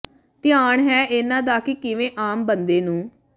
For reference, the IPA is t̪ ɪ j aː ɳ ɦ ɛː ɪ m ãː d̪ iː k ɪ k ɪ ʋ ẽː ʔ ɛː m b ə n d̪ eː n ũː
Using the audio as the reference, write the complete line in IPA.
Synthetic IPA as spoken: t̪ ɪ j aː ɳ ɦ ɛː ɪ n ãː d̪ aː k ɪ k ɪ ʋ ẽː ʔ aː m b ə n d̪ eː n ũː